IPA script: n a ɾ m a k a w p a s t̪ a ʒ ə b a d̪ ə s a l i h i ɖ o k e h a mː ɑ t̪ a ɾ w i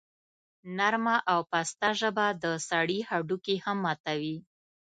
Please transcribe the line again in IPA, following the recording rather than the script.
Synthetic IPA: n a ɾ m a ʔ a w p a s t̪ a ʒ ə b a d̪ ə s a ɽ i h a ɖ u k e h a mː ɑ t̪ a w i